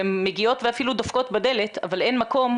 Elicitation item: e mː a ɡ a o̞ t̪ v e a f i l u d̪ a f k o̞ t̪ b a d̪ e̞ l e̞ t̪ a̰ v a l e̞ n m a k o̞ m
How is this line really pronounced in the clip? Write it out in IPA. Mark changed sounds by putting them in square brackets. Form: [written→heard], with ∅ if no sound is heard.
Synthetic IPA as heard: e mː [a→e] ɡ [a→i] o̞ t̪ v e a f i l u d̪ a f k o̞ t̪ b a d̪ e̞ l e̞ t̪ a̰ v a l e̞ n m a k o̞ m

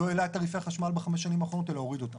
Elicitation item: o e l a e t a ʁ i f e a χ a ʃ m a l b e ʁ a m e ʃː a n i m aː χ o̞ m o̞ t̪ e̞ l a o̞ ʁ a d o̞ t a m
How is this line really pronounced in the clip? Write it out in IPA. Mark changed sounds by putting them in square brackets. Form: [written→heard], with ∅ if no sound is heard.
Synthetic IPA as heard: o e l a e t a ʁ i f e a χ a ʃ m a l b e [ʁ→χ] a m e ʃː a n i m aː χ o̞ [m→n] o̞ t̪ e̞ l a o̞ ʁ [a→i] d o̞ t a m

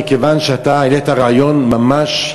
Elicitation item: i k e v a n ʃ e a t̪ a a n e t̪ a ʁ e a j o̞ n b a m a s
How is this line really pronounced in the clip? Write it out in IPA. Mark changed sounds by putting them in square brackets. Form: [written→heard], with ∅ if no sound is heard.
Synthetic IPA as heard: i k e v a n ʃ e a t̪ a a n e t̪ a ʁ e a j o̞ n [b→m] a m a [s→ʃ]

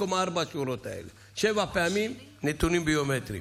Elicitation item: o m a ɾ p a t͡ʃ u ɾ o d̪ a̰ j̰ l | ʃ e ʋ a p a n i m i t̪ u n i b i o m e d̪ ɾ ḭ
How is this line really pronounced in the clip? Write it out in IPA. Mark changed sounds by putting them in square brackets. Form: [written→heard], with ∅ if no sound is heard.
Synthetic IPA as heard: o m a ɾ [p→b] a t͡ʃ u ɾ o [d̪→t̪] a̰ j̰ l | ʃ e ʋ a p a [n→m] i [m→n] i t̪ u n i b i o m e [d̪→t̪] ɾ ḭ

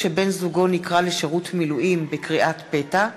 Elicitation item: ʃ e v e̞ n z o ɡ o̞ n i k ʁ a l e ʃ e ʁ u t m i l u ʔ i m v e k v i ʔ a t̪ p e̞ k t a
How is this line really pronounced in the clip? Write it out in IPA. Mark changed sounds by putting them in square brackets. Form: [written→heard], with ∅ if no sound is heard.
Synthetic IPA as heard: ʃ e [v→b] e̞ n z [o→u] ɡ o̞ n i k ʁ a l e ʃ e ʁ u t m i l u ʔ i m [v→b] e k [v→ʁ] i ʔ a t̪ p e̞ [k→∅] t a

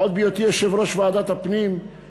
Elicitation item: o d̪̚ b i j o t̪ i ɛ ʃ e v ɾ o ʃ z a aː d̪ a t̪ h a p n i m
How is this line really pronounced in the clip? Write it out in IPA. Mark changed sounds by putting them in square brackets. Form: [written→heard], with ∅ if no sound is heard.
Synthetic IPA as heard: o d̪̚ b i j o t̪ i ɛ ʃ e v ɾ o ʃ [z→v] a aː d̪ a t̪ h a p n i m

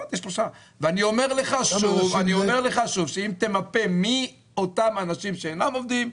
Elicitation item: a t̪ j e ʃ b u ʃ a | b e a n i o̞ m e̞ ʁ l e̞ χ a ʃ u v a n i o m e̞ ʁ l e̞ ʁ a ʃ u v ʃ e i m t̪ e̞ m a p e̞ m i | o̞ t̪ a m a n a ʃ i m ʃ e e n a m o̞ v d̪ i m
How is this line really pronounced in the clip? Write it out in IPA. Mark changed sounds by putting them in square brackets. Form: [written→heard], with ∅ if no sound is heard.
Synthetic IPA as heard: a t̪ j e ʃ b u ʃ a | [b→v] e a n i o̞ m e̞ ʁ l e̞ χ a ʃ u v a n i o m e̞ ʁ l e̞ [ʁ→χ] a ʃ u v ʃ e i m t̪ e̞ m a p e̞ m i | o̞ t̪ a m a n a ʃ i m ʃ e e n a m o̞ v d̪ i m

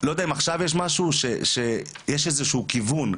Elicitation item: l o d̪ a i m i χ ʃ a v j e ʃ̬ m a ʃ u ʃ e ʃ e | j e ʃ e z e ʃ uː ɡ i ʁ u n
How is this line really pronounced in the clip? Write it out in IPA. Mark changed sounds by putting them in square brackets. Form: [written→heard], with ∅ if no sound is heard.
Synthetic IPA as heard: l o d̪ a i m [i→a] χ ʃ a v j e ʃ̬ m a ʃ u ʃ e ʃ e | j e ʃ e z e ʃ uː [ɡ→k] i [ʁ→v] u n

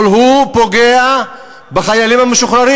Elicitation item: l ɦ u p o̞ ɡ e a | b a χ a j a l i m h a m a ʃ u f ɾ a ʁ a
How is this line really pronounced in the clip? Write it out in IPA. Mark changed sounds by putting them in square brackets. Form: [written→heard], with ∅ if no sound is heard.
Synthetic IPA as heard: l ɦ u p o̞ ɡ e a | b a χ a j a l i m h a m [a→e] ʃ u [f→χ] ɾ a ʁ [a→i]

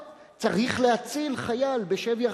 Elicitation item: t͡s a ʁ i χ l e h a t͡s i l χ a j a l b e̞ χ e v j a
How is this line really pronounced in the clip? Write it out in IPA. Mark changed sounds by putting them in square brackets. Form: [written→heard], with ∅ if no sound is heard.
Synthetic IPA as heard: t͡s a ʁ i χ l e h a t͡s i l χ a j a l b e̞ [χ→ʃ] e v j a

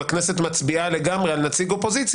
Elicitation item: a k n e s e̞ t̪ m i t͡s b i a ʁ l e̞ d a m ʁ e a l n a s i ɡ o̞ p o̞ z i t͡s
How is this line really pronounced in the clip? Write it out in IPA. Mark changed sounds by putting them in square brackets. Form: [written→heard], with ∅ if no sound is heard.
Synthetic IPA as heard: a k n e s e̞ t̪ m [i→a] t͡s b i a [ʁ→∅] l e̞ [d→ɡ] a m ʁ e a l n a [s→t͡s] i ɡ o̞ p o̞ z i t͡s

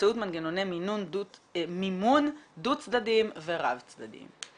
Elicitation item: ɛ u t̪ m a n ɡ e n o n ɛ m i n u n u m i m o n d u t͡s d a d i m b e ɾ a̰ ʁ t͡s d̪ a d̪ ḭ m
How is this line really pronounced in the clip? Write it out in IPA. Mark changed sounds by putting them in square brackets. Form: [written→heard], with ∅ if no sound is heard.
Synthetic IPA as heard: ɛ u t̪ m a n ɡ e n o n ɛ m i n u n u m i m [o→u] n d u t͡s d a d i m [b→v] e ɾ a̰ [ʁ→v] t͡s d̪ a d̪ ḭ m

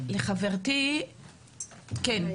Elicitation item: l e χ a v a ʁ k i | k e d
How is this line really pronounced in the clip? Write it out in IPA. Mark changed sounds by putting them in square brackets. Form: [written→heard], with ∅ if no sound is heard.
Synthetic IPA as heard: l e χ a v [a→e] ʁ [k→t] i | k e [d→n]

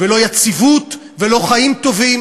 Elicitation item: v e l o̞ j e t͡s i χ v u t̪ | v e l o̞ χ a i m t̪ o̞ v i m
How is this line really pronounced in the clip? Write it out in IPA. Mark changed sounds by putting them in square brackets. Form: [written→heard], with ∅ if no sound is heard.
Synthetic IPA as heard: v e l o̞ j [e→a] t͡s i [χ→∅] v u t̪ | v e l o̞ χ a i m t̪ o̞ v i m

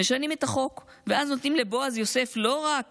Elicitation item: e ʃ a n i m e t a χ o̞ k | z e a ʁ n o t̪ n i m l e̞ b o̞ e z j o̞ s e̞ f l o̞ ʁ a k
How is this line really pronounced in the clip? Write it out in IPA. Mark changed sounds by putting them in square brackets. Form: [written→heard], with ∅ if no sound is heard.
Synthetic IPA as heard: e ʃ a n i m e t a χ o̞ k | [z→v] e a [ʁ→z] n o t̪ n i m l e̞ b o̞ [e→a] z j o̞ s e̞ f l o̞ ʁ a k

